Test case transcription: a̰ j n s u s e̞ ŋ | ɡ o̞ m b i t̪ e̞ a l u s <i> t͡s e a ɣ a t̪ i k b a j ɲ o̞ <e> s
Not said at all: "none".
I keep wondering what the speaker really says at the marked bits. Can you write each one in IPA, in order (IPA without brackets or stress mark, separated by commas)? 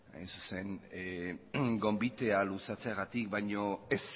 a, e